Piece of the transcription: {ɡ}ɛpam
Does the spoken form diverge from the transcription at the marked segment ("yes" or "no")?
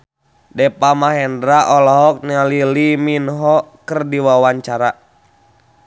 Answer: yes